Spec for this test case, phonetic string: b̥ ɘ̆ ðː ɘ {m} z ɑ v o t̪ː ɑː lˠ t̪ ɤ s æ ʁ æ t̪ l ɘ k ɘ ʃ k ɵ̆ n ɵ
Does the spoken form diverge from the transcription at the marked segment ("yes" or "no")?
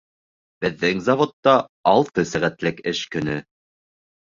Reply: yes